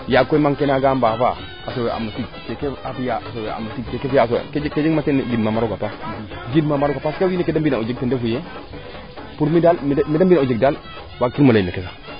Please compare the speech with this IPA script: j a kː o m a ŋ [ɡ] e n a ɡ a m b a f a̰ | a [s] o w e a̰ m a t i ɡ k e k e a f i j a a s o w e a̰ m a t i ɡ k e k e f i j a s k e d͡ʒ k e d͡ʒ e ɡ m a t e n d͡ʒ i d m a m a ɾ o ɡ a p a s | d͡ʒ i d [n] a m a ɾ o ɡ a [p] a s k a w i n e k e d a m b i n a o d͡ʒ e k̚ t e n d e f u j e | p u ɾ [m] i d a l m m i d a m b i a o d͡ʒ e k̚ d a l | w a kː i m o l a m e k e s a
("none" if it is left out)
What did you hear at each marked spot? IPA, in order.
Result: k, s, m, p, m

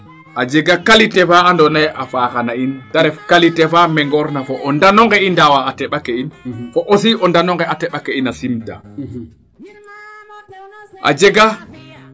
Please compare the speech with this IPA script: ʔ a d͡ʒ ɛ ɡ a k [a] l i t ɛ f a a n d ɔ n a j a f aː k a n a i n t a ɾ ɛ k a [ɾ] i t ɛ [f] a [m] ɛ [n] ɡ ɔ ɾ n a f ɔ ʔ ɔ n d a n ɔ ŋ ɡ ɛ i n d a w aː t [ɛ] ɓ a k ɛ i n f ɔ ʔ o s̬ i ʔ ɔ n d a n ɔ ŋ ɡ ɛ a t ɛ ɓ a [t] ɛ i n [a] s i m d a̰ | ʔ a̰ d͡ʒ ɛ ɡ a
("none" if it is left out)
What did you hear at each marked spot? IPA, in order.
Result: a, l, f, m, ŋ, ɛ, k, a

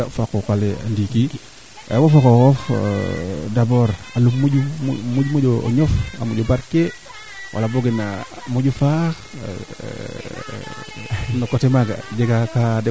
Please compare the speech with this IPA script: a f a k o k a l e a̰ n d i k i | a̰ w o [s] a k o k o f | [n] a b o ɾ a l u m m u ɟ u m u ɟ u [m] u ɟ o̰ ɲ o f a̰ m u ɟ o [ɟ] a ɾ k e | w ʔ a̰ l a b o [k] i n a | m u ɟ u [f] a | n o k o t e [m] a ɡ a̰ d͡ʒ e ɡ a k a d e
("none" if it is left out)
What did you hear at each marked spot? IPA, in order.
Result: f, d, m, b, ɡ, f, m

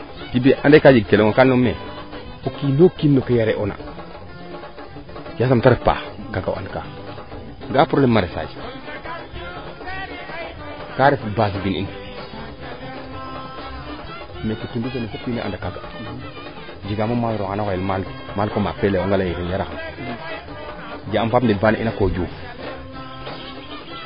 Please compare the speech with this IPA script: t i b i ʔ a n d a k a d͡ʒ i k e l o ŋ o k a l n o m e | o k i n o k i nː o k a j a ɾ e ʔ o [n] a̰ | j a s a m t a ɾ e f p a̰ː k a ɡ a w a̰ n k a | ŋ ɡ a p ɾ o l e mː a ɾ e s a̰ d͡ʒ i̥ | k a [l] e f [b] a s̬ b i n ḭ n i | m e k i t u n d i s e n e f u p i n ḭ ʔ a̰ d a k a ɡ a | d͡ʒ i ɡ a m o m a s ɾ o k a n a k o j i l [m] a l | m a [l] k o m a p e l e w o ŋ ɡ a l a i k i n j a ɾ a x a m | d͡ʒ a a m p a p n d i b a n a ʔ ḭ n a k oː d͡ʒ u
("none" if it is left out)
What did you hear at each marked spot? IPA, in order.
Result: n, ɾ, b, m, l

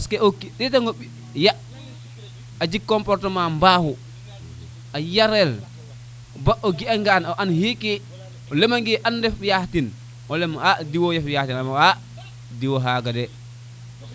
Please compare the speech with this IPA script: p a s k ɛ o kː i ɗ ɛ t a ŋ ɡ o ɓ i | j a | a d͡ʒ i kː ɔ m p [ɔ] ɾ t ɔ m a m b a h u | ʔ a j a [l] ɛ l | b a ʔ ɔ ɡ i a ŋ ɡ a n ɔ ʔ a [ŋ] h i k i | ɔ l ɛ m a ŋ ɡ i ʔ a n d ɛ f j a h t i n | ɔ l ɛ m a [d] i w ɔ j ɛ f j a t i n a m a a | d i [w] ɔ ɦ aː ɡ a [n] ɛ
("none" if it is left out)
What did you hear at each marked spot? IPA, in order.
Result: ɔ, ɾ, n, d, w, d

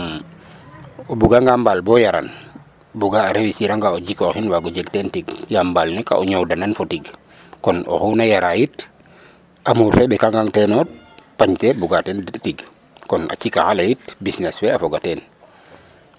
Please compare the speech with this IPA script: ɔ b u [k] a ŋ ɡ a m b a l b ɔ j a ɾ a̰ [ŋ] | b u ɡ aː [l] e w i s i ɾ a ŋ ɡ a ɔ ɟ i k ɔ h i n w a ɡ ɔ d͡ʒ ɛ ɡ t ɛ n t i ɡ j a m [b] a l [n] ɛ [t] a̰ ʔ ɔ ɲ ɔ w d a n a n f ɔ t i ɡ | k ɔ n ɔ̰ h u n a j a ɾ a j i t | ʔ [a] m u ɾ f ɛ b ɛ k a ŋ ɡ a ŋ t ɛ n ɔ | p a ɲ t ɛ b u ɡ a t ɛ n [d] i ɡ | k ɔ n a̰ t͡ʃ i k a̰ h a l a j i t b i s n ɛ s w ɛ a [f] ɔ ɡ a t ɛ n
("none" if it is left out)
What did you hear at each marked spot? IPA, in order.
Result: ɡ, n, ɾ, b, n, k, a, t, f

